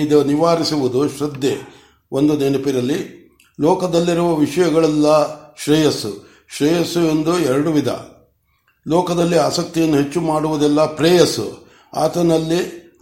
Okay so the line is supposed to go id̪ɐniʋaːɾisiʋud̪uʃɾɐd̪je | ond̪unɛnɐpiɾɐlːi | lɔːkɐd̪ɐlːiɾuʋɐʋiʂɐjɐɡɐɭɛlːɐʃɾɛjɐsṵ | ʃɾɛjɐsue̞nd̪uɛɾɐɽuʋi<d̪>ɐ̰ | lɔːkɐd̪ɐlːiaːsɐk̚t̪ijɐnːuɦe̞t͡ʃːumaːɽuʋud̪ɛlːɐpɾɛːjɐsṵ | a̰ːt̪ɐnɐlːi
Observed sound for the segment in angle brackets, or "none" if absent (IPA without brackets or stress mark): d̪